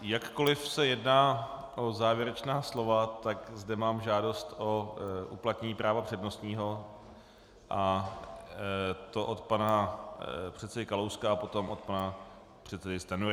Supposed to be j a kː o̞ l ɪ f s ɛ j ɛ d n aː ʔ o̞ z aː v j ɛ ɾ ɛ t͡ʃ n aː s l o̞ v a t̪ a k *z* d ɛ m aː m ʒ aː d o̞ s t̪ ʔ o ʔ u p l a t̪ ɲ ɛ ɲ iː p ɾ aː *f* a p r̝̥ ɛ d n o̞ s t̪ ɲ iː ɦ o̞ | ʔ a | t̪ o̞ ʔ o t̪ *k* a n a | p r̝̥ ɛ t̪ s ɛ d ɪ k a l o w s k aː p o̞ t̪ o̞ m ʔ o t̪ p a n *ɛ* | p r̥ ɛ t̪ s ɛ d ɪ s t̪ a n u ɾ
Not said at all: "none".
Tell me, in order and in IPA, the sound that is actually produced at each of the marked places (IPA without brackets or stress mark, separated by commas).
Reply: z, v, p, a